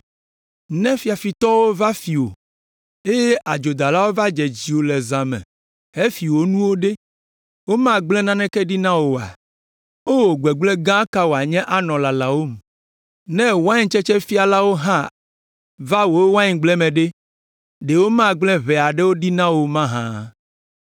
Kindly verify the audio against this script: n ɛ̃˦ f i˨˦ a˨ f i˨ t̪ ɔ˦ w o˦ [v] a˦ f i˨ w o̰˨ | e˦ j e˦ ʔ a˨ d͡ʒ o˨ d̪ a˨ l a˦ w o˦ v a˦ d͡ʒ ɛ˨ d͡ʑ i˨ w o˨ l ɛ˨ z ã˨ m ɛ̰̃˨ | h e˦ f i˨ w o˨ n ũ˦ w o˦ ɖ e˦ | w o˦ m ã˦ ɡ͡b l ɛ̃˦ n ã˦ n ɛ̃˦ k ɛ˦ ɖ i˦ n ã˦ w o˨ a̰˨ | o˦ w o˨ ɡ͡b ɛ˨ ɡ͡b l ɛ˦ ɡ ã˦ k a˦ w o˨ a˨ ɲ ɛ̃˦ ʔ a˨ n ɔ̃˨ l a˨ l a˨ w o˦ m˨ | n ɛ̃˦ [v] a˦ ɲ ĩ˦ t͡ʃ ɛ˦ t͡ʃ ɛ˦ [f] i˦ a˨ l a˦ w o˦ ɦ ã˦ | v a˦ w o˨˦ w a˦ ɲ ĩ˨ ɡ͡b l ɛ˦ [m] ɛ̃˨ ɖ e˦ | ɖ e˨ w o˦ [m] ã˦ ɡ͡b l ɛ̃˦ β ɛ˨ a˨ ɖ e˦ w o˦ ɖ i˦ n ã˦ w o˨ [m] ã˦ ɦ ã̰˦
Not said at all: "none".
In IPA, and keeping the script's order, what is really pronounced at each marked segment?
v, w, f, m, m, m

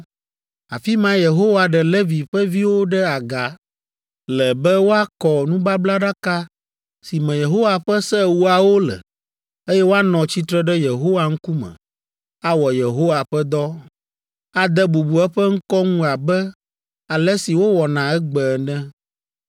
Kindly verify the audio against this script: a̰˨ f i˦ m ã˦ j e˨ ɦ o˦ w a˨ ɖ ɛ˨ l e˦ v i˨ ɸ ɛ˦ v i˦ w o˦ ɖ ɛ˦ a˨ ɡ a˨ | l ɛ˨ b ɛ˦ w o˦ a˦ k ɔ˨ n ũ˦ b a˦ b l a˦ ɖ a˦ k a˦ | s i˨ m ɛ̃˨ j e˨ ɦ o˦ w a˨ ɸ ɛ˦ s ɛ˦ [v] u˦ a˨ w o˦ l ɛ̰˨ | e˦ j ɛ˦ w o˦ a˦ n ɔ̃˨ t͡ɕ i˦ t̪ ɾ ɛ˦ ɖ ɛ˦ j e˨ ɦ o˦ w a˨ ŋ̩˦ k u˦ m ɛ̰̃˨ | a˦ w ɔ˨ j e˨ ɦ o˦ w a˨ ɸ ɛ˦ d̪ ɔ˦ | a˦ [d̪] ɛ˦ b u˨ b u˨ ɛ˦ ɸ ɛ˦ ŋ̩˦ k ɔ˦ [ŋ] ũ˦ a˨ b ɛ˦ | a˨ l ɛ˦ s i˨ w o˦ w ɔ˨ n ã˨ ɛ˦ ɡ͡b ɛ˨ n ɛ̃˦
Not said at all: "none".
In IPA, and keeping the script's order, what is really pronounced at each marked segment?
w, d̪, ŋ

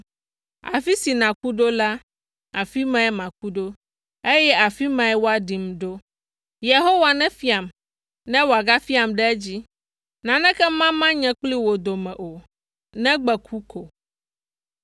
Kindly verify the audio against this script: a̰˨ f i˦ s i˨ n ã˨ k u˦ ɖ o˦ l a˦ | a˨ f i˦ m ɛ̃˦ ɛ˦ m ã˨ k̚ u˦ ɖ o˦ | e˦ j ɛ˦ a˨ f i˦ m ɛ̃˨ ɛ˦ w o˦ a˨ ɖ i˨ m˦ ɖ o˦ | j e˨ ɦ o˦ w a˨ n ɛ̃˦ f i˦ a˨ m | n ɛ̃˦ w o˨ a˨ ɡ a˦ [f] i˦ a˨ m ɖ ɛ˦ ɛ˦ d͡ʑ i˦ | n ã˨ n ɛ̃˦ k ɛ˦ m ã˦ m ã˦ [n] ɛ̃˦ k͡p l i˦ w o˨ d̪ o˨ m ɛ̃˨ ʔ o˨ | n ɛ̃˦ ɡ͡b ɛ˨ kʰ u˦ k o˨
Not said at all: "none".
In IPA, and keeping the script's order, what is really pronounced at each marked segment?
f, ɲ

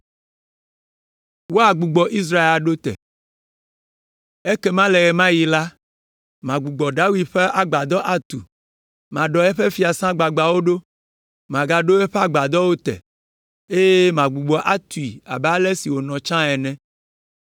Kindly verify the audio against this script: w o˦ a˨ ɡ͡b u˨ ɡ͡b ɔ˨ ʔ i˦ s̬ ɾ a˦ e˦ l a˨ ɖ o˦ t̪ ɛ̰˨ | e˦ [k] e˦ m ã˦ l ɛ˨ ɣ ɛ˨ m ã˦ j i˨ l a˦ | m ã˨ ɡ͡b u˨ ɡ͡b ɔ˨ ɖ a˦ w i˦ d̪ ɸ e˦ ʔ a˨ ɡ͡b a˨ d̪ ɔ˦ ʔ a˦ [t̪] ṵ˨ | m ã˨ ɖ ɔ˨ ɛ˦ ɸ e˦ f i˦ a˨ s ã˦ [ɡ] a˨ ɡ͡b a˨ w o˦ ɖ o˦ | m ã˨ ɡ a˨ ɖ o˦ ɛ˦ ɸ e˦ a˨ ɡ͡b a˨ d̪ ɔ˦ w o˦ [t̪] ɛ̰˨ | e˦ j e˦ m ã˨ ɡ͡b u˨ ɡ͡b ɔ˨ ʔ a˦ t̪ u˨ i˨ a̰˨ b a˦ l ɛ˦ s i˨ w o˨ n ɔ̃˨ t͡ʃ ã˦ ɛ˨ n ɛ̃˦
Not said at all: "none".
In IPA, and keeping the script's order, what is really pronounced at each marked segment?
k, t̪, ɡ͡b, t̪

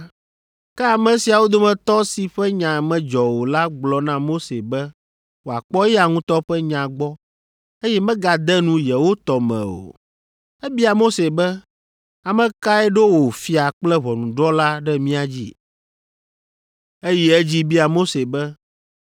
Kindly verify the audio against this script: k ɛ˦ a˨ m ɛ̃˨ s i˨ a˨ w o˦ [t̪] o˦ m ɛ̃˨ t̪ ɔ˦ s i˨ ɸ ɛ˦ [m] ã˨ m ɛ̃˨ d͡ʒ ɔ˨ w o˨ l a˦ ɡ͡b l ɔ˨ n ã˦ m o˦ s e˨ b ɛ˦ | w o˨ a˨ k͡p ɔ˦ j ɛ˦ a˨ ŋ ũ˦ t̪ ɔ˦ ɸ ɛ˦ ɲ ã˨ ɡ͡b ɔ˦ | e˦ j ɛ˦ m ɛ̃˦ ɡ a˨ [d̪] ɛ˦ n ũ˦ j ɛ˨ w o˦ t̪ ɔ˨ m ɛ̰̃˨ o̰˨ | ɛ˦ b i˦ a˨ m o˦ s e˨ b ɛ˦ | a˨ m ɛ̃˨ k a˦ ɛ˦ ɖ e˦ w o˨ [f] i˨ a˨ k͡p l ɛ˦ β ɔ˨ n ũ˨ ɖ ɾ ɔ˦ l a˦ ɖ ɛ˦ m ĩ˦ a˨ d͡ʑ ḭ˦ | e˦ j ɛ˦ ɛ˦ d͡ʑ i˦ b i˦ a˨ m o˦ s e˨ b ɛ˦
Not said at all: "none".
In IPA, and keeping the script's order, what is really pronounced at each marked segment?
d̪, ɲ, d̪, f

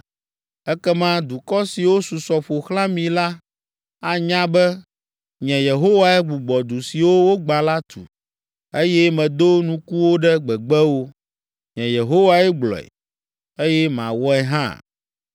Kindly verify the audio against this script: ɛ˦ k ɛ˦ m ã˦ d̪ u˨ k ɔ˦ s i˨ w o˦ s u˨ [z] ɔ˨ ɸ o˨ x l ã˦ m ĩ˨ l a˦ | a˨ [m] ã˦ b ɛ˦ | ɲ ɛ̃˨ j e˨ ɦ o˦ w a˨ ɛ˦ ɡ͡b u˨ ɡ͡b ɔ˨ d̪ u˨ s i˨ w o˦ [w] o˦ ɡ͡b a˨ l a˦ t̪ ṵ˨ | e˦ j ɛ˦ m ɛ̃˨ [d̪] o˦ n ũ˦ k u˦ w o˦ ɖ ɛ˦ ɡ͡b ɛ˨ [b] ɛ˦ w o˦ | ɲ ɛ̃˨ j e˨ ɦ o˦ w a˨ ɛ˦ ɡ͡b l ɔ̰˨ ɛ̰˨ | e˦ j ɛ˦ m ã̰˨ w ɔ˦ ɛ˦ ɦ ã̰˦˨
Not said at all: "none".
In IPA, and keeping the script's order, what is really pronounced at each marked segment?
s, ɲ, w, d̪, ɡ͡b

